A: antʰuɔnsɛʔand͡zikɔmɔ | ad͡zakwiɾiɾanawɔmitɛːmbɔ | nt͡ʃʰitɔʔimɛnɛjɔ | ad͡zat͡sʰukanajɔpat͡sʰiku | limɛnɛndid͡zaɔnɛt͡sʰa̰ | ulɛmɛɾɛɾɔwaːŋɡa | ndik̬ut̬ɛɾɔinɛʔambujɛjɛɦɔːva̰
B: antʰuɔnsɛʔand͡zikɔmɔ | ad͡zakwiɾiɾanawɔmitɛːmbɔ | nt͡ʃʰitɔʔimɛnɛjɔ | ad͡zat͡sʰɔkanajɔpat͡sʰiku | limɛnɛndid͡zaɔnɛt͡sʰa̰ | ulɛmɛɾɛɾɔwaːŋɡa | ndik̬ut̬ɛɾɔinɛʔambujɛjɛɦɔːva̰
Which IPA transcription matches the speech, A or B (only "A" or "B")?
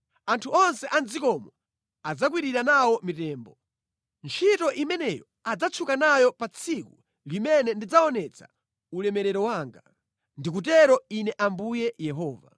A